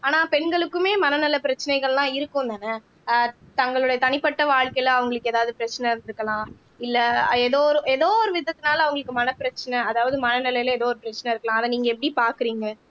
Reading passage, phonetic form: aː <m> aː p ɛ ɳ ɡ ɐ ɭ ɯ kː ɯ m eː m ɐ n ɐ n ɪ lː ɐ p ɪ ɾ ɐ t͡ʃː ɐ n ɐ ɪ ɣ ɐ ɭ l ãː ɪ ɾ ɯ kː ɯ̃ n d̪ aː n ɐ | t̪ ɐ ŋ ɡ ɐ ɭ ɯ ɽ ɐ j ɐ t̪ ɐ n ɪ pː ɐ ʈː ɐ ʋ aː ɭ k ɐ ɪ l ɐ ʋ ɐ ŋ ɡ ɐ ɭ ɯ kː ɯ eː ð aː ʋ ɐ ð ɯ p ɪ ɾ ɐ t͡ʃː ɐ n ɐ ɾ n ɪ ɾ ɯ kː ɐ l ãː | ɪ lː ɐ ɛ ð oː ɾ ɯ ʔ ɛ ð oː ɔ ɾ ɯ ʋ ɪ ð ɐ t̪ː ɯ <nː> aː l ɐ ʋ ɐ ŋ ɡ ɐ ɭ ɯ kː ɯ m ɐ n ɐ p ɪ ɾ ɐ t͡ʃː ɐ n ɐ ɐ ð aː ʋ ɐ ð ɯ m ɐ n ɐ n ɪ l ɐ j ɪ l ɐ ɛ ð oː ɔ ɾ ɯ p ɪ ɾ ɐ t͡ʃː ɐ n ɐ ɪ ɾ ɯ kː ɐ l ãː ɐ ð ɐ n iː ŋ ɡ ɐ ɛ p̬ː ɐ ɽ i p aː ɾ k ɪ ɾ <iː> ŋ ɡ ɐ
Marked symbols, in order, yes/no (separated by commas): no, no, yes